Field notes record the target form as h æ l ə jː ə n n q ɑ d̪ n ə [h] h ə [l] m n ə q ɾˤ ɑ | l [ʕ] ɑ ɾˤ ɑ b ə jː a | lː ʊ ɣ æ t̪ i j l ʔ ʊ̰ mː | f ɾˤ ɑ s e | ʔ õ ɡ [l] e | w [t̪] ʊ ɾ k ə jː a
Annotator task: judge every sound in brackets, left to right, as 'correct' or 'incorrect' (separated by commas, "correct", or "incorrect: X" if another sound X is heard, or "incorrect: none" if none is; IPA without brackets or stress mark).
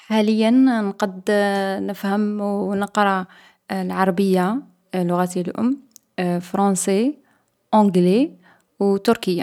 incorrect: f, incorrect: none, correct, correct, correct